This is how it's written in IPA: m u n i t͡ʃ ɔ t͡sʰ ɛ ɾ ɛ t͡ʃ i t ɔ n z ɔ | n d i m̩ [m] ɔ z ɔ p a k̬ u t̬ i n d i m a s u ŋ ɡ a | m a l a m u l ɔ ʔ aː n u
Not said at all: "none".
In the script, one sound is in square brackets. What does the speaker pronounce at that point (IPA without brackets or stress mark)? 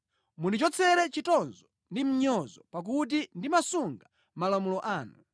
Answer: ɲ